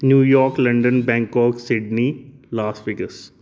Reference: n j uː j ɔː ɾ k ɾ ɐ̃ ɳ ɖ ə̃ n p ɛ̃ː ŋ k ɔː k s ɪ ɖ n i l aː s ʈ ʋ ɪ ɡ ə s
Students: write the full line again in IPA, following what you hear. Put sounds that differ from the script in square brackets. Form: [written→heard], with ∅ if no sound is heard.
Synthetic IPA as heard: n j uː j ɔː ɾ k [ɾ→l] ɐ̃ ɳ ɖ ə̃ n [p→b] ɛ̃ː ŋ k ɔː k s ɪ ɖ n i l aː s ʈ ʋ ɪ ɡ ə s